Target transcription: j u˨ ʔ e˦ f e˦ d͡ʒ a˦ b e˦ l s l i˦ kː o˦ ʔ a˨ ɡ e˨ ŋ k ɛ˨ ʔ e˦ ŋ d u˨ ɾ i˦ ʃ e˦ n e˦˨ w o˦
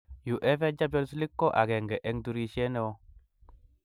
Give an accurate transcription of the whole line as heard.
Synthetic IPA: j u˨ ʔ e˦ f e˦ d͡ʒ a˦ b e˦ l s l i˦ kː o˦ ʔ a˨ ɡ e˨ ŋ ɡ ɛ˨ ʔ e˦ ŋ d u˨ ɾ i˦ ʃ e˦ n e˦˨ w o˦